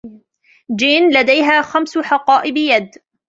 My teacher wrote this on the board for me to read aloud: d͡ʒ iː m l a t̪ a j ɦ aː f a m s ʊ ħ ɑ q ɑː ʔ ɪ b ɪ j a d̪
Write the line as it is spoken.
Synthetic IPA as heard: d͡ʒ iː n l a d̪ a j ɦ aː x a m s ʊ ħ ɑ q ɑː ʔ ɪ b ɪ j a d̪

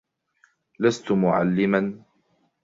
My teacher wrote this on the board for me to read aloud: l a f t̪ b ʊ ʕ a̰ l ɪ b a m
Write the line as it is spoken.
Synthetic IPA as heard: l a s t̪ m ʊ ʕ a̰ lː ɪ m a n

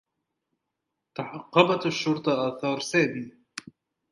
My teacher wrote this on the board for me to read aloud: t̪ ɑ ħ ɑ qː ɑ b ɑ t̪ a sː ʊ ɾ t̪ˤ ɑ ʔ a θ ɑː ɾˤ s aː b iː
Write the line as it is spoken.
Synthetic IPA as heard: t̪ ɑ ħ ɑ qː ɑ b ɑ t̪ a ʃː ʊ ɾ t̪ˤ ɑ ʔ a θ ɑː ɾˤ s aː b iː

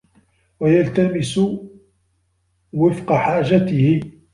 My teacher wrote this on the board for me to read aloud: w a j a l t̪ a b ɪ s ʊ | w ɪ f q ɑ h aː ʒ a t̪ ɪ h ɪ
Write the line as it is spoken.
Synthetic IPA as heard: w a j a l t̪ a m ɪ s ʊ | w ɪ f q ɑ ħ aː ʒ a t̪ ɪ h ɪ

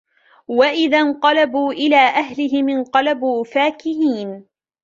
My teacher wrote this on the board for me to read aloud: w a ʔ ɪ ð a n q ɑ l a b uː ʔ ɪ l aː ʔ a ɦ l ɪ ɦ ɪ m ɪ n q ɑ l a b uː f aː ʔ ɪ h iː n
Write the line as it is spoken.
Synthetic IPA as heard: w a ʔ ɪ ð a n q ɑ l a b uː ʔ ɪ l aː ʔ a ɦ l ɪ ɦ ɪ m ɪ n q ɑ l a b uː f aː k ɪ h iː n

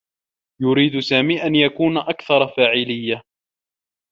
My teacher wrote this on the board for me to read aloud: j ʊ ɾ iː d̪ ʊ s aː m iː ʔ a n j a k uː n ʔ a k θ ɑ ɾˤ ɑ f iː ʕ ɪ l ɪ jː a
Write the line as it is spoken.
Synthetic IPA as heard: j ʊ ɾ iː d̪ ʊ s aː m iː ʔ a n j a k uː n ʔ a k θ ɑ ɾˤ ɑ f aː ʕ ɪ l ɪ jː a

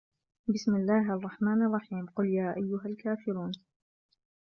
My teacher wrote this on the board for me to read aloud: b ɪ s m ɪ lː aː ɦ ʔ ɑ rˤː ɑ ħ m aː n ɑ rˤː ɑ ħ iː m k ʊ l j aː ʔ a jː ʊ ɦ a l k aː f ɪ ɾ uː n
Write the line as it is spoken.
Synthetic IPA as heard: b ɪ s m ɪ lː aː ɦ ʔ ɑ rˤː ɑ ħ m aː n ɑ rˤː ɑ ħ iː m q ʊ l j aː ʔ a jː ʊ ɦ a l k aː f ɪ ɾ uː n

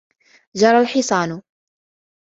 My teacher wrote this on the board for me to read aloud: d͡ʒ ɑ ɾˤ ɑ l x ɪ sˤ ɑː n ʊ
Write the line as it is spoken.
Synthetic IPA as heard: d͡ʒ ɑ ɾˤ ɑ l ħ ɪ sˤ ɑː n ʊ

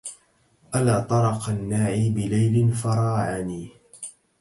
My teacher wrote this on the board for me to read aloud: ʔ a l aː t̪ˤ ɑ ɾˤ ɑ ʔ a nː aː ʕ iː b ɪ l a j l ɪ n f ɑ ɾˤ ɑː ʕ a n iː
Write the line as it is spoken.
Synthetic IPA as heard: ʔ a l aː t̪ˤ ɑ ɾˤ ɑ q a nː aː ʕ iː b ɪ l a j l ɪ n f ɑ ɾˤ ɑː ʕ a n iː

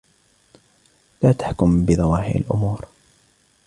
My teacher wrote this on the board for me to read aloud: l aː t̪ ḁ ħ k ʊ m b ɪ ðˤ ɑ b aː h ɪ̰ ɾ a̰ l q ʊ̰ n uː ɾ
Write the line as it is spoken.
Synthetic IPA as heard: l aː t̪ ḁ ħ k ʊ m b ɪ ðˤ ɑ w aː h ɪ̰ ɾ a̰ l ʔ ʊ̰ m uː ɾ

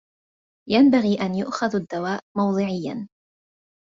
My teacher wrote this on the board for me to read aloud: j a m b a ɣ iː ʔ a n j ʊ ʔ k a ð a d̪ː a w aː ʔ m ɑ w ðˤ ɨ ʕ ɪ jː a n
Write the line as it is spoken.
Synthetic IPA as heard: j a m b a ɣ iː ʔ a n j ʊ ʔ x a ð a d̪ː a w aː ʔ m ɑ w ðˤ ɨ ʕ ɪ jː a n

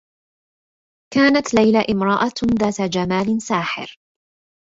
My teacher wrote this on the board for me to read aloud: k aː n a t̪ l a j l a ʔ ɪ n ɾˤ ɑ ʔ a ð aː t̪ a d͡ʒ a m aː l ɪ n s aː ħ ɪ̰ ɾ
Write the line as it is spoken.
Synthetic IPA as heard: k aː n a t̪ l a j l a ʔ ɪ m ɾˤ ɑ ʔ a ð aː t̪ a d͡ʒ a m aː l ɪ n s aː ħ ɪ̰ ɾ

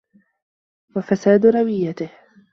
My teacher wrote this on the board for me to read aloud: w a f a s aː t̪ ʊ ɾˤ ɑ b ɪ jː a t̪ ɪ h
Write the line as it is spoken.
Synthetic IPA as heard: w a f a s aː d̪ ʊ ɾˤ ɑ w ɪ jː a t̪ ɪ h

